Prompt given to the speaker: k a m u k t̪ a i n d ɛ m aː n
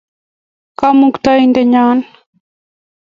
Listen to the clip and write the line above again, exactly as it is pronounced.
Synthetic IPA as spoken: k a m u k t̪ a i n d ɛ ɲ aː n